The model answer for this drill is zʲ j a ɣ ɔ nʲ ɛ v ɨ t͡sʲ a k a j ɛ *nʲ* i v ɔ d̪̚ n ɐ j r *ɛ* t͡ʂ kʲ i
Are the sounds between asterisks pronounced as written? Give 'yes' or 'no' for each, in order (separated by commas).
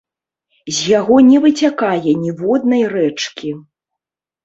yes, yes